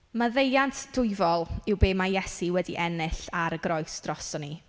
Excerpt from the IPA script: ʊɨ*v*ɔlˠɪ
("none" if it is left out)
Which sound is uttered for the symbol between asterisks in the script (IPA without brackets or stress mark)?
v